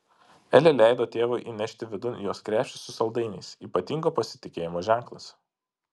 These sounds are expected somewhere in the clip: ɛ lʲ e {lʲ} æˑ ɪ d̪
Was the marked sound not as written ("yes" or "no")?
no